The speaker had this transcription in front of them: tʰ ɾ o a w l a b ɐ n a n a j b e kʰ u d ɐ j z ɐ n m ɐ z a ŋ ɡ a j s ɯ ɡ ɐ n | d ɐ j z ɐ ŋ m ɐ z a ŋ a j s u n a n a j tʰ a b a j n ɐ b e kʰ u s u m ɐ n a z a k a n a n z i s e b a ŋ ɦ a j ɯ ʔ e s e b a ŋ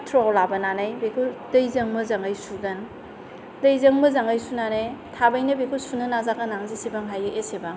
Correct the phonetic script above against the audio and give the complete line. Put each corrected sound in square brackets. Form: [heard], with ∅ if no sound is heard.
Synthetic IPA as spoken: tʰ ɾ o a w l a b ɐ n a n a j b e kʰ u d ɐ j z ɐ [ŋ] m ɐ z a ŋ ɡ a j s [u] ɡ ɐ n | d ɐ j z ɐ ŋ m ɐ z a ŋ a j s u n a n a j tʰ a b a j n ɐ b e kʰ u s u [n] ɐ n a z a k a n a [ŋ] z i s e b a ŋ ɦ a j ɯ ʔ e s e b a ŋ